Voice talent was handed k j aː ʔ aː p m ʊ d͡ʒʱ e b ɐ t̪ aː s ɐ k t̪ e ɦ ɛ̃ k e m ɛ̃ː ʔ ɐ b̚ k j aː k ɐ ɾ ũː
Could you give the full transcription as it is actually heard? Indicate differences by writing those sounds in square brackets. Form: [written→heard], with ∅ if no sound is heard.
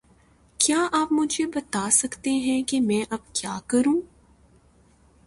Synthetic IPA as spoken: k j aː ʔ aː p m ʊ d͡ʒʱ e b ɐ t̪ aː s ɐ k t̪ e ɦ ɛ̃ k e m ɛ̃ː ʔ ɐ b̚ k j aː k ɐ ɾ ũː